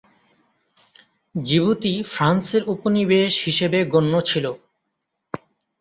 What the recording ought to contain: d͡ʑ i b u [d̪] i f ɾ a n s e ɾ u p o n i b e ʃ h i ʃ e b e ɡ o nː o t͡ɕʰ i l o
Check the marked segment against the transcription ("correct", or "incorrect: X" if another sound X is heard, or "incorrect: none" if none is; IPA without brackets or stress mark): incorrect: t̪